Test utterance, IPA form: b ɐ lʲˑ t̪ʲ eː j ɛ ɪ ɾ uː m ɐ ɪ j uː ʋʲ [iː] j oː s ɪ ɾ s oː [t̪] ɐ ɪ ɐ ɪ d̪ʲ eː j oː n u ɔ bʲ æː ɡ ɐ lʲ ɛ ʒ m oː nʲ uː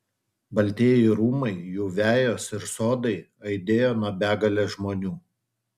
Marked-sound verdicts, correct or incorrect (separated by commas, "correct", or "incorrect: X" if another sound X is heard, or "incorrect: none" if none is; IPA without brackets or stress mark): incorrect: æː, incorrect: d̪